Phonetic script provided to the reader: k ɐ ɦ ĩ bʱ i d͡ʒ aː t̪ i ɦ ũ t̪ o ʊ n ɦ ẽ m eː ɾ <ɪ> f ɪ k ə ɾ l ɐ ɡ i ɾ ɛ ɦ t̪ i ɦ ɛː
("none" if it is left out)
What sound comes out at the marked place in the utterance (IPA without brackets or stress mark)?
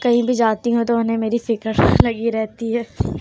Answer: i